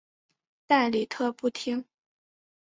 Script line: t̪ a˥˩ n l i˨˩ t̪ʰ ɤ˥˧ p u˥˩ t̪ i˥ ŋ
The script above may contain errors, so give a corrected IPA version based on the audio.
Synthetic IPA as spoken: t̪ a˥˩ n l i˨˩ t̪ʰ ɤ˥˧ p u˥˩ t̪ʰ i˥ ŋ

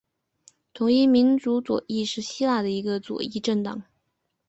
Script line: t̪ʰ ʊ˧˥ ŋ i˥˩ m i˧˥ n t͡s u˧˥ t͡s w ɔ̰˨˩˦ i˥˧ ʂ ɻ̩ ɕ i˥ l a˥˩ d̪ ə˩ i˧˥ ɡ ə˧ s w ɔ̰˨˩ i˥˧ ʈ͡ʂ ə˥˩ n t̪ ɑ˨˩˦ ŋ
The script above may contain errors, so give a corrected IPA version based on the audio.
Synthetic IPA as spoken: t̪ʰ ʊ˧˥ ŋ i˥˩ m i˧˥ n t͡s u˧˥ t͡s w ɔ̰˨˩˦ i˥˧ ʂ ɻ̩ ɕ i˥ l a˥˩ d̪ ə˩ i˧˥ ɡ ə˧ t͡s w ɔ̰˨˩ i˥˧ ʈ͡ʂ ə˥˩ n t̪ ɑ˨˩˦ ŋ

